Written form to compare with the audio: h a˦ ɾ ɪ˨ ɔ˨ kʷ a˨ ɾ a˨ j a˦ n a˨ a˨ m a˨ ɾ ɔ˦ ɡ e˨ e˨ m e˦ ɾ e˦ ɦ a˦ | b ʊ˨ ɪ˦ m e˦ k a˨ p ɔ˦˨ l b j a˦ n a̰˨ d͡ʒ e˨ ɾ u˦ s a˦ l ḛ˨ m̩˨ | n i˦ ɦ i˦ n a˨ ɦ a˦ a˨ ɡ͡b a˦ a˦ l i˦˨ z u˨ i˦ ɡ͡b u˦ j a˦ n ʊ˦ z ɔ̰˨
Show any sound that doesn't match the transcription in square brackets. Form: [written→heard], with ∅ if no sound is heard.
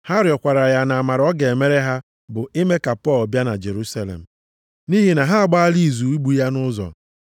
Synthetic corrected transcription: h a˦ ɾ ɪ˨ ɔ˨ kʷ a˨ ɾ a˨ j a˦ n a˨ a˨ m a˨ ɾ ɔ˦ ɡ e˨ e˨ m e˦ ɾ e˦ ɦ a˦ | b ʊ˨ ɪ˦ m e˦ k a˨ p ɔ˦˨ l b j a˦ n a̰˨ d͡ʒ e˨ ɾ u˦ s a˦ l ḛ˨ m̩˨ | n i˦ ɦ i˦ n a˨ ɦ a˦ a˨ ɡ͡b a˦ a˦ l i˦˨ z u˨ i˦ ɡ͡b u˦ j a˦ n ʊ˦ z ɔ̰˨

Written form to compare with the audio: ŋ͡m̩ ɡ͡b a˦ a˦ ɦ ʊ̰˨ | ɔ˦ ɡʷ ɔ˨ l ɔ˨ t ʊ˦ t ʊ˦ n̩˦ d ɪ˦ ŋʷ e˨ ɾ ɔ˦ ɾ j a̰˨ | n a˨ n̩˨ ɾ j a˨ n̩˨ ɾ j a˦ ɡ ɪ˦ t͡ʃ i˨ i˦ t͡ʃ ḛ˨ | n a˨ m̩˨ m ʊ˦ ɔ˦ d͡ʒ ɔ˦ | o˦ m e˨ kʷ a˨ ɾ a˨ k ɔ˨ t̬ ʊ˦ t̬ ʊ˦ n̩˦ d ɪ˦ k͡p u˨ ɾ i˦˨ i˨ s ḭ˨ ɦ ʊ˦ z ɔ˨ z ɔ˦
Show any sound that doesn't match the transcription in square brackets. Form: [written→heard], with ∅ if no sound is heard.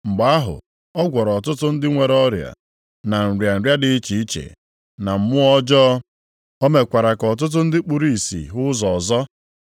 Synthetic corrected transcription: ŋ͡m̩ ɡ͡b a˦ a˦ ɦ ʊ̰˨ | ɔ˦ ɡʷ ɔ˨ [l→ɾ] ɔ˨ t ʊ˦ t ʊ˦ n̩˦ d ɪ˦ ŋʷ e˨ ɾ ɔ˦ ɾ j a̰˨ | n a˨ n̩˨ ɾ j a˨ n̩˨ ɾ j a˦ [ɡ→d] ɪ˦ t͡ʃ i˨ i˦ t͡ʃ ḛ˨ | n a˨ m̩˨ m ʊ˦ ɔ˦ d͡ʒ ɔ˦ | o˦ m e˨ kʷ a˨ ɾ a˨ k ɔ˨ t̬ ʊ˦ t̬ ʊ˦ n̩˦ d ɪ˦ k͡p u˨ ɾ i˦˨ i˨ s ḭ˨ ɦ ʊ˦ z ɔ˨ z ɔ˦

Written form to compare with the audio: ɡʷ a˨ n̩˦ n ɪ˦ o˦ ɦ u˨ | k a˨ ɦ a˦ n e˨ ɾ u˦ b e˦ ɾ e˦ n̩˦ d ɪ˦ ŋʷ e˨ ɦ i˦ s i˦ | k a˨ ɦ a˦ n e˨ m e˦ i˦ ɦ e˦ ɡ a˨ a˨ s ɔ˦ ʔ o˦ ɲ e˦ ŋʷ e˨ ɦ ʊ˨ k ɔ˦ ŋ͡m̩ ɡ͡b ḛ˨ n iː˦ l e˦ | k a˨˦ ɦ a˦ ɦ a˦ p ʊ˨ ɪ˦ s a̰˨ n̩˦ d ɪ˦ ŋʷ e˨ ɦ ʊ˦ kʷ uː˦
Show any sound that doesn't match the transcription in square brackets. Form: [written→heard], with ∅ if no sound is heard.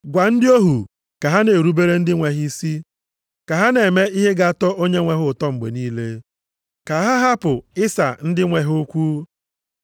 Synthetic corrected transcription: ɡʷ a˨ n̩˦ [n→d] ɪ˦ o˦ ɦ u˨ | k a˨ ɦ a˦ n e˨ ɾ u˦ b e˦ ɾ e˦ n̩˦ d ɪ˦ ŋʷ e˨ ɦ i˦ s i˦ | k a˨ ɦ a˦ n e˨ m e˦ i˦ ɦ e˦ ɡ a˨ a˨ [s→t] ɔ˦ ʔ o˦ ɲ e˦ ŋʷ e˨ ɦ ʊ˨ [k→t] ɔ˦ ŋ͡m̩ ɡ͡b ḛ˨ n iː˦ l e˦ | k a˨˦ ɦ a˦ ɦ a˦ p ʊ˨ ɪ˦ s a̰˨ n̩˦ d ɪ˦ ŋʷ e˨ ɦ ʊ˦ kʷ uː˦

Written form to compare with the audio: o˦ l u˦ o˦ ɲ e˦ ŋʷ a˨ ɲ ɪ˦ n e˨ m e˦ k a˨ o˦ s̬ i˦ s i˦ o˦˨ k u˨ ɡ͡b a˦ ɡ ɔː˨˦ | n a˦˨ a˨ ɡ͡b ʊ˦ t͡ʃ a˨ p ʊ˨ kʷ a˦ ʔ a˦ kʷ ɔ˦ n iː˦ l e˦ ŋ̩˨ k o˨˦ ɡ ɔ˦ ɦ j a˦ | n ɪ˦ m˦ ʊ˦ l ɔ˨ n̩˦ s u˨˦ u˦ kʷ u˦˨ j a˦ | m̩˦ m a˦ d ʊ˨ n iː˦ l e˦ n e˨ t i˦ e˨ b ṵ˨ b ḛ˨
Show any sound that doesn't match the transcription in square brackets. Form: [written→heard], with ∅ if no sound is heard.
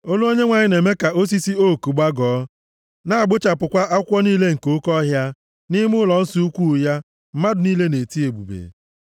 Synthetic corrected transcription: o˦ l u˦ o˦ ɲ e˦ ŋʷ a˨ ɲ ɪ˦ n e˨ m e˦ k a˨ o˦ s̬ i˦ s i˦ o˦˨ k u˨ ɡ͡b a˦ ɡ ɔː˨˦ | n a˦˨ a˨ ɡ͡b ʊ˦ t͡ʃ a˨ p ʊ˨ kʷ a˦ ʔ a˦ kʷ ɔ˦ n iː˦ l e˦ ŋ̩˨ k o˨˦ [ɡ→k] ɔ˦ ɦ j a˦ | n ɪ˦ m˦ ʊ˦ l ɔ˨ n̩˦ s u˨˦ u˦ kʷ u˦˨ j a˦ | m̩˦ m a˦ d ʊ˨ n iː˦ l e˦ n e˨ t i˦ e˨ b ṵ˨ b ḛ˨

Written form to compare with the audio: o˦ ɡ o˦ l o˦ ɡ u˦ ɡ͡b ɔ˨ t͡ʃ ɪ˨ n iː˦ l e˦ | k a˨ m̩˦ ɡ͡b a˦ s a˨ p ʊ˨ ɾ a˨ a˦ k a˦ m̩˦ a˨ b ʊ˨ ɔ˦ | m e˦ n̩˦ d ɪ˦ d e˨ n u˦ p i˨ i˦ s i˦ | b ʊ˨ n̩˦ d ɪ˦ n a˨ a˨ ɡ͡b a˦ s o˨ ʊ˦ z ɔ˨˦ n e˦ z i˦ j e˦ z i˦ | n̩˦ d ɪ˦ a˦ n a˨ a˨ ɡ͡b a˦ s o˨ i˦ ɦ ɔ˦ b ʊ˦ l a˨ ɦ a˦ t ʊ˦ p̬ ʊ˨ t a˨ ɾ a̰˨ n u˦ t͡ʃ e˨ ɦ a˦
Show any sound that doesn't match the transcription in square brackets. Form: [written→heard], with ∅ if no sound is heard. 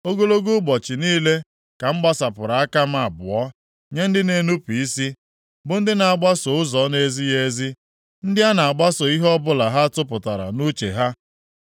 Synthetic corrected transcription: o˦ ɡ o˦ l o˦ ɡ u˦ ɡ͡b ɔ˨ t͡ʃ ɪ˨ n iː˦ l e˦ | k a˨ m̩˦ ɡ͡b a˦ s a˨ p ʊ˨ ɾ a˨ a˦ k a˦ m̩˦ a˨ b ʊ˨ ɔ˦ | [m→ɲ] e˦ n̩˦ d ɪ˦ [d→n] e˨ n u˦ p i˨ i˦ s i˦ | b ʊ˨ n̩˦ d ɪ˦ n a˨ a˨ ɡ͡b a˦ s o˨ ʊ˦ z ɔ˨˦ n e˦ z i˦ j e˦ z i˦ | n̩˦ d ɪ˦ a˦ n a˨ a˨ ɡ͡b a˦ s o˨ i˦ ɦ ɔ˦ b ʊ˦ l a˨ ɦ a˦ t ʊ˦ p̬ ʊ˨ t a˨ ɾ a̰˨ n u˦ t͡ʃ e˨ ɦ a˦

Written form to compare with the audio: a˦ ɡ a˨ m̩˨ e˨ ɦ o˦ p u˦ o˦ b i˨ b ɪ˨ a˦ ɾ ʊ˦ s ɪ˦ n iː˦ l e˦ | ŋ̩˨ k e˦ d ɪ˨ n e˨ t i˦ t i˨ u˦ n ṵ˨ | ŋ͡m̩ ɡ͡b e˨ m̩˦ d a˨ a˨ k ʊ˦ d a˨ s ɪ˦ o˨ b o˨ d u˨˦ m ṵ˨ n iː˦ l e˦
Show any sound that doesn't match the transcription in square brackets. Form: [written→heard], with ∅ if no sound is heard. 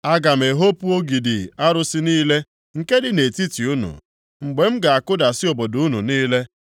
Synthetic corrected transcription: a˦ ɡ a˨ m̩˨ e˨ ɦ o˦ p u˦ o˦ [b→ɡ] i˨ [b→d] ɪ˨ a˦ ɾ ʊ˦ s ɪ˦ n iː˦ l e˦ | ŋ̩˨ k e˦ d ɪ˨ n e˨ t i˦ t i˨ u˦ n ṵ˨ | ŋ͡m̩ ɡ͡b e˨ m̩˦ [d→ɡ] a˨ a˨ k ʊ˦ d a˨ s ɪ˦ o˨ b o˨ d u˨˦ [m→n] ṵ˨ n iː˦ l e˦

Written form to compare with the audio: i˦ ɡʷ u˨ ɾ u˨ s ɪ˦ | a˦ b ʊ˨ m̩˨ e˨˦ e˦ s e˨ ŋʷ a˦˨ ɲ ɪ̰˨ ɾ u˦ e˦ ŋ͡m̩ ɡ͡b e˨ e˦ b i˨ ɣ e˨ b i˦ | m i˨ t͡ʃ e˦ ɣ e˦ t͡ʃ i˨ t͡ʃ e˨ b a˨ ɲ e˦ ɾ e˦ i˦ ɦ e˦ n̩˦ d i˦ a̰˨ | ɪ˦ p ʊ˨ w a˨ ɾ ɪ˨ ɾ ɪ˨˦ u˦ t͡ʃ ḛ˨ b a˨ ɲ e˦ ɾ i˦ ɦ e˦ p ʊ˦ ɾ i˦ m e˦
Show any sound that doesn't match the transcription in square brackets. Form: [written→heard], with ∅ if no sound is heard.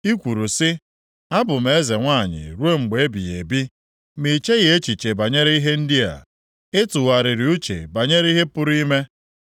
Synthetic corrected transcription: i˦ [ɡʷ→kʷ] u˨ ɾ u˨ s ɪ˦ | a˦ b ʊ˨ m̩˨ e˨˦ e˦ [s→z] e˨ ŋʷ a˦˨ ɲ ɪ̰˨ ɾ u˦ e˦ ŋ͡m̩ ɡ͡b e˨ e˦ b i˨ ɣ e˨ b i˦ | m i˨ t͡ʃ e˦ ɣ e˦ t͡ʃ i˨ t͡ʃ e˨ b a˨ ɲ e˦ ɾ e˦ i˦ ɦ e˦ n̩˦ d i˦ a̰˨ | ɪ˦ [p→t] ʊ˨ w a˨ ɾ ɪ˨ ɾ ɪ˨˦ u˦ t͡ʃ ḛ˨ b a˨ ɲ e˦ ɾ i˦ ɦ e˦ p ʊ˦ ɾ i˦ m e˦

